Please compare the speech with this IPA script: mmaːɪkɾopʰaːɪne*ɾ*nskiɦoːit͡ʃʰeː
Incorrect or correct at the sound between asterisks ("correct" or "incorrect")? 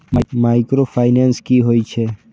incorrect